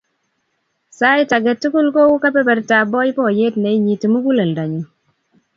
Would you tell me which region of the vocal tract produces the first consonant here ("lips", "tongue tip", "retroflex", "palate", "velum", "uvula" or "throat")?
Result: tongue tip